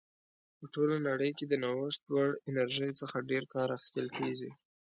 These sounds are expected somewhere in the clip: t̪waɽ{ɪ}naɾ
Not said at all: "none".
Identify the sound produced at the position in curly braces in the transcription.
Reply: ɪ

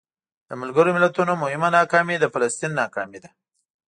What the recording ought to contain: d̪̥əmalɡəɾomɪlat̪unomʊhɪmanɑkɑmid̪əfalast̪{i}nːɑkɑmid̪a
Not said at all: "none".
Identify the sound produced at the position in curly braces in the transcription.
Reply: i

